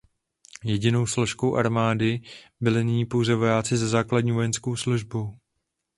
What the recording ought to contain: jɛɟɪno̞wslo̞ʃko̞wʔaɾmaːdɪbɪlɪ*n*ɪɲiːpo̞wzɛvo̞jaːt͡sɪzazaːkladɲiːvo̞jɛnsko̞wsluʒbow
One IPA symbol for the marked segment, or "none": n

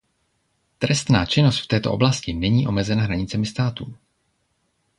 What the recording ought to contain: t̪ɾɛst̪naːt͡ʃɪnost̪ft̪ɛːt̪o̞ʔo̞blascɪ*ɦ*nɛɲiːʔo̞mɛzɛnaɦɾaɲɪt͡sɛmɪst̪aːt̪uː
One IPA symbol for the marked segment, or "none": none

